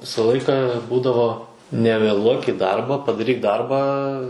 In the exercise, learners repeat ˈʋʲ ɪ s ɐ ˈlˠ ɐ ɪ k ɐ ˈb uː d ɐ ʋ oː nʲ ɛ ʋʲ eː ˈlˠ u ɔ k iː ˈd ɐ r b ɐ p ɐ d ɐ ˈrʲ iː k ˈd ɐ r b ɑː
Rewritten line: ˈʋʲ ɪ s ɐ ˈlˠ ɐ ɪ k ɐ ˈb uː d ɐ ʋ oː nʲ ɛ ʋʲ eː ˈlˠ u ɔ k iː ˈd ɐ r b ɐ p ɐ d ɐ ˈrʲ iː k ˈd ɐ r b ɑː